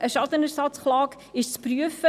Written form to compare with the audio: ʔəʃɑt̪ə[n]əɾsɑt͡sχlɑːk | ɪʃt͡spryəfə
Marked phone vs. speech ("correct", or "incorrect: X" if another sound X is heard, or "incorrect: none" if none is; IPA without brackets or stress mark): correct